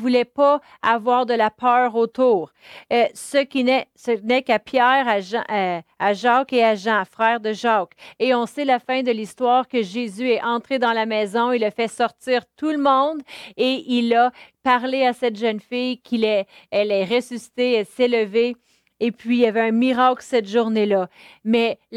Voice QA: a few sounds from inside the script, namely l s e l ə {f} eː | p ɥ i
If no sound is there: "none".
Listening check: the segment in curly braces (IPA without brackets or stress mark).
v